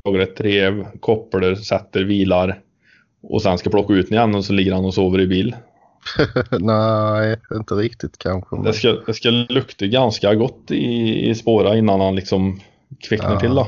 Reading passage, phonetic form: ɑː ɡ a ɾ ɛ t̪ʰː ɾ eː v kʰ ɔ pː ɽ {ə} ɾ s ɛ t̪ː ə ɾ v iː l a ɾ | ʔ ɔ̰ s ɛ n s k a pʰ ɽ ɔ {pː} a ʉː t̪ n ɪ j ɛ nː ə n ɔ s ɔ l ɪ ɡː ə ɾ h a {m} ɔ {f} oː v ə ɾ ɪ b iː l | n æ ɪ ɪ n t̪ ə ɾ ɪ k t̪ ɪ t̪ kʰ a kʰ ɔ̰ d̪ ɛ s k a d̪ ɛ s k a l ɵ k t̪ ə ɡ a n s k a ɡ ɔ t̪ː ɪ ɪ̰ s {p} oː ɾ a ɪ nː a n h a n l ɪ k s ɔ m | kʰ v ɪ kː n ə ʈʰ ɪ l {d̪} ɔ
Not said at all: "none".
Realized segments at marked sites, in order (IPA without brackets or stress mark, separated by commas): ə, kː, n, s, p, d̪